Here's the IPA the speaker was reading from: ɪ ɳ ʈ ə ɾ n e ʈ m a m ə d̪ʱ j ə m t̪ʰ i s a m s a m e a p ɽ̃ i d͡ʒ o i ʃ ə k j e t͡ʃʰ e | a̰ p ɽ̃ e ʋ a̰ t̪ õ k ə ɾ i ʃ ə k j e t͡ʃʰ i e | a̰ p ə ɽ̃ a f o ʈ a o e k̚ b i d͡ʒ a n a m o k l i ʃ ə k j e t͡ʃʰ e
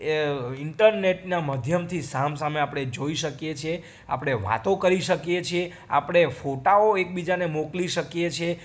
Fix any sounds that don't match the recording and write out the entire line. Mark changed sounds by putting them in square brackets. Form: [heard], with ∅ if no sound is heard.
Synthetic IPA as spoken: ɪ ɳ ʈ ə ɾ n e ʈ [n] a m ə d̪ʱ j ə m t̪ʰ i s a m s a m e a p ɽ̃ [e] d͡ʒ o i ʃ ə k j e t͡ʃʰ e | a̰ p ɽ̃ e ʋ a̰ t̪ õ k ə ɾ i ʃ ə k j e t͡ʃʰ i e | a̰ p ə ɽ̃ [e] f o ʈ a o e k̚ b i d͡ʒ a n [e] m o k l i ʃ ə k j e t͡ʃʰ e